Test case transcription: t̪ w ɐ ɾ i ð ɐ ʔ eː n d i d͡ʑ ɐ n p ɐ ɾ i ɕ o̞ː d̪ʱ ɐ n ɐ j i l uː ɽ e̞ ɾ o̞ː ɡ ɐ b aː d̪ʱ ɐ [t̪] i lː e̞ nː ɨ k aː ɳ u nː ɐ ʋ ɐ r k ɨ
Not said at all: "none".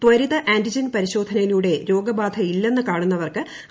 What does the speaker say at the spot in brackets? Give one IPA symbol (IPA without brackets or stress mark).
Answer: none